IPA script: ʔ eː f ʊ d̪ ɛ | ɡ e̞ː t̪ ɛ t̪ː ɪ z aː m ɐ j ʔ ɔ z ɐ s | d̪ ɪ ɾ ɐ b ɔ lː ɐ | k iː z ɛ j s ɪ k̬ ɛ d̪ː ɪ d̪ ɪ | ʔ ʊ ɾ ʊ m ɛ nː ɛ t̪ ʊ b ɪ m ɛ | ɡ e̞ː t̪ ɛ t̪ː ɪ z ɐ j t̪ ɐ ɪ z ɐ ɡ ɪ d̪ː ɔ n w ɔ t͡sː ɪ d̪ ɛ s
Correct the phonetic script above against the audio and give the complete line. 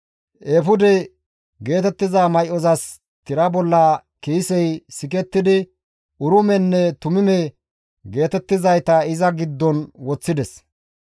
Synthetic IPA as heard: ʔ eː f ʊ d̪ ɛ | ɡ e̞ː t̪ ɛ t̪ː ɪ z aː m ɐ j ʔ ɔ z ɐ s | t̪ ɪ ɾ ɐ b ɔ lː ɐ | k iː s ɛ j s ɪ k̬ ɛ t̪ː ɪ d̪ ɪ | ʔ ʊ ɾ ʊ m ɛ nː ɛ t̪ ʊ m ɪ m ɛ | ɡ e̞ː t̪ ɛ t̪ː ɪ z ɐ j t̪ ɐ ɪ z ɐ ɡ ɪ d̪ː ɔ n w ɔ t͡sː ɪ d̪ ɛ s